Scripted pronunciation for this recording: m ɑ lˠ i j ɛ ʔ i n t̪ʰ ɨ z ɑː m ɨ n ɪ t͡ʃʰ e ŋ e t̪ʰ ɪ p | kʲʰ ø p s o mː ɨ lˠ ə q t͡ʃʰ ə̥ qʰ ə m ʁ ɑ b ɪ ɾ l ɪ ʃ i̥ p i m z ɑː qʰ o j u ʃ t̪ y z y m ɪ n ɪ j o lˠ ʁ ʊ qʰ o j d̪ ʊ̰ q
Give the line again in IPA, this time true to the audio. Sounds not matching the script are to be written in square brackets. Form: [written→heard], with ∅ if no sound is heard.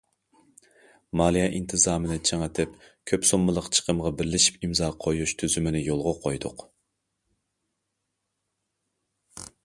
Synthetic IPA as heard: m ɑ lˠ i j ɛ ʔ i n t̪ʰ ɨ z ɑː m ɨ n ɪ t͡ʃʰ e ŋ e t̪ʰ ɪ p | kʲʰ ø p s o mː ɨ lˠ ə q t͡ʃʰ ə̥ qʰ ə m ʁ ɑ b ɪ ɾ l ɪ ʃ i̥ p i m z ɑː qʰ o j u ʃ [t̪→t̪ʰ] y z y m ɪ n ɪ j o lˠ ʁ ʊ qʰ o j d̪ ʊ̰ q